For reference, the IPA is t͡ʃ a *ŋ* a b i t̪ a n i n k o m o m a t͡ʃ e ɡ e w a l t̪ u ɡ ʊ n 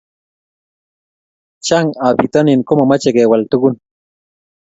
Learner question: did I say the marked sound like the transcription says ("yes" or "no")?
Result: yes